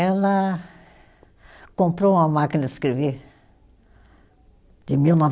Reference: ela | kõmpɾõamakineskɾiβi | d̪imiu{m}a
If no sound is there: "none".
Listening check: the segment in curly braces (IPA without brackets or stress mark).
n